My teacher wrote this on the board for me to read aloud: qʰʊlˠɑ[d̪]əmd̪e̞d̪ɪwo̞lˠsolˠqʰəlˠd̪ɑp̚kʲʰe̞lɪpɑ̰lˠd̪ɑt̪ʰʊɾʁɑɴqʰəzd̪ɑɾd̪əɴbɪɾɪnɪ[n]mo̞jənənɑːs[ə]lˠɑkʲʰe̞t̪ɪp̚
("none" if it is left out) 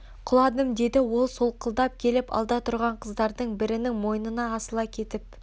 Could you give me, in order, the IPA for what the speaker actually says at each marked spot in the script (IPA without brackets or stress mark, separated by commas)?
d̪, ŋ, ə